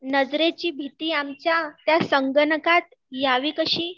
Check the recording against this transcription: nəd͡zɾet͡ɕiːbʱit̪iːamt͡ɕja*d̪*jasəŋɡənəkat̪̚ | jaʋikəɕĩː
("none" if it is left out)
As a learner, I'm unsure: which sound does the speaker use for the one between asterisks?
t̪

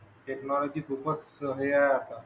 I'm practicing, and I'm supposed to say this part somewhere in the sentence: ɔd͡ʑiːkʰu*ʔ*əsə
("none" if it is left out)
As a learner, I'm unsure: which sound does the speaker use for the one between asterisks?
p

